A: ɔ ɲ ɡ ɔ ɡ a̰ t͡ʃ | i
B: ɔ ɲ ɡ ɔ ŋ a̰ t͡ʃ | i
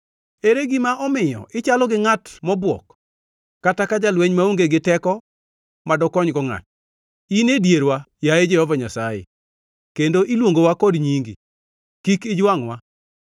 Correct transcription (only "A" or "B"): B